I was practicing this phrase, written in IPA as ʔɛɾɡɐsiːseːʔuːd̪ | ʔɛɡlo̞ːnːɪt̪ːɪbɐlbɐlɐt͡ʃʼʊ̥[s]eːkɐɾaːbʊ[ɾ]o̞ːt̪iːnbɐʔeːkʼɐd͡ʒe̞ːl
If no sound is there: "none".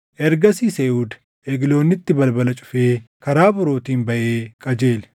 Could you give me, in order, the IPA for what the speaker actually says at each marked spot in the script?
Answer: f, ɾ

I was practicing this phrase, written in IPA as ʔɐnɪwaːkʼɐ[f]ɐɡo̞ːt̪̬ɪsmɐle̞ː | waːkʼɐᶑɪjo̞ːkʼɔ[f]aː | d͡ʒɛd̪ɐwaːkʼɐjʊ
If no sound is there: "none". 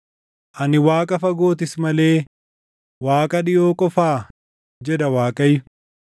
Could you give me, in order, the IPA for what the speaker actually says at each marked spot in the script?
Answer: f, f

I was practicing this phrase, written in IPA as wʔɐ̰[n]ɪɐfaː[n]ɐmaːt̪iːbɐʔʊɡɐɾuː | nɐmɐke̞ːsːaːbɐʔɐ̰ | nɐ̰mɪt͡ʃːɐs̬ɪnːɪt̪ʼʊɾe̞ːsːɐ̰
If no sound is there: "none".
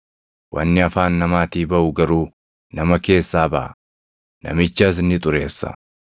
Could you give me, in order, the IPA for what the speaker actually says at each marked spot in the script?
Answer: nː, nː

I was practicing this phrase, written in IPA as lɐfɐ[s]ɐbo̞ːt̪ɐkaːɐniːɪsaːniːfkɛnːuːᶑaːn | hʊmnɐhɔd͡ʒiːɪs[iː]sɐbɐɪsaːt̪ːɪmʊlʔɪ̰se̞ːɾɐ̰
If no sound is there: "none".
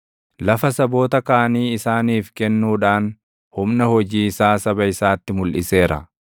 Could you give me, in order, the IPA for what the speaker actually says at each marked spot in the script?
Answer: s, aː

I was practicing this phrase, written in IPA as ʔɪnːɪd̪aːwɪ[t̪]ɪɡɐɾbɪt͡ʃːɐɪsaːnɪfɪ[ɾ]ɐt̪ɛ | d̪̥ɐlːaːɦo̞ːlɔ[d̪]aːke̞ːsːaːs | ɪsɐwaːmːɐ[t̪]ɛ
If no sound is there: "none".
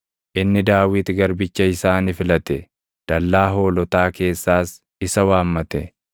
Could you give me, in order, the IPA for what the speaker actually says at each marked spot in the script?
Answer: t̪, l, t̪, t̪

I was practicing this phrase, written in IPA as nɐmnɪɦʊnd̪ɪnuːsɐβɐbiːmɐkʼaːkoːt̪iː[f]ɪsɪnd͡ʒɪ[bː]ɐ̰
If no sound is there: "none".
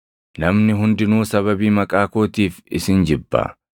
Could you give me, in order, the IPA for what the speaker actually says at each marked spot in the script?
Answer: f, bː

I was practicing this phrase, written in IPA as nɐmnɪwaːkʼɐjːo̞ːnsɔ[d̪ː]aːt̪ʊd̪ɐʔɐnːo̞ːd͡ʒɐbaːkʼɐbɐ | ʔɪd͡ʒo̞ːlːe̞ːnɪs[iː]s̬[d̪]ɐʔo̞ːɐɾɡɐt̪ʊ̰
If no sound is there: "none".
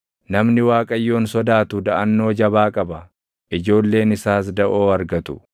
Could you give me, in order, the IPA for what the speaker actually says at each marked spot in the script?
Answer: d̪, aː, d̪

